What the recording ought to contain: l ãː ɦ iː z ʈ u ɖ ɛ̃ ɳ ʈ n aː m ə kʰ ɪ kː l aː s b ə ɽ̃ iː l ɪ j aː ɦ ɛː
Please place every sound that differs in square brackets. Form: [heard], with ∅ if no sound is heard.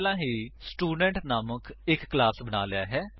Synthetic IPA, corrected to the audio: l ãː ɦ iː [s] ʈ [uː] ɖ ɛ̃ ɳ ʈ n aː m ə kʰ ɪ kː l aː s b ə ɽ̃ [aː] l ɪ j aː ɦ ɛː